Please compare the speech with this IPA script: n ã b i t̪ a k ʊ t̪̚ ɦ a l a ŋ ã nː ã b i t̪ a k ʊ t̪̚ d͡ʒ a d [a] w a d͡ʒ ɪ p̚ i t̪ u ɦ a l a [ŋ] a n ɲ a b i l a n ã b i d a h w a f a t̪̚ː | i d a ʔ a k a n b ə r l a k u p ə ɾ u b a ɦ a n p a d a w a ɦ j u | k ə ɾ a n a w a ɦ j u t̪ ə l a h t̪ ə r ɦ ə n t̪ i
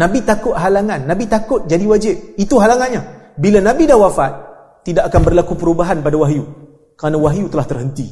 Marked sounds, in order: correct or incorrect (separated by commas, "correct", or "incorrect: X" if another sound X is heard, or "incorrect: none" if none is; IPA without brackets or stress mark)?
incorrect: i, correct